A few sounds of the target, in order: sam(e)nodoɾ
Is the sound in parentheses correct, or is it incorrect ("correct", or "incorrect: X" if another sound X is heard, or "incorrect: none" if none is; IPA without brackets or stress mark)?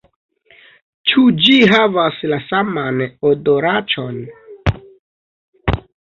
incorrect: a